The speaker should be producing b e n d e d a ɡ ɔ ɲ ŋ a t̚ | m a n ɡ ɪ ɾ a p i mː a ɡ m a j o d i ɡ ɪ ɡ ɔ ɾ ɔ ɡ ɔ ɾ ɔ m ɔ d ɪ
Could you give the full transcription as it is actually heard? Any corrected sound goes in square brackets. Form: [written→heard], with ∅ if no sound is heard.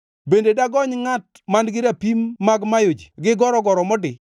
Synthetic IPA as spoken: b e n d e d a ɡ ɔ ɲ ŋ a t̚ | m a n ɡ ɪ ɾ a p i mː a ɡ m a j o [d→d͡ʒ] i ɡ ɪ ɡ ɔ ɾ ɔ ɡ ɔ ɾ ɔ m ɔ d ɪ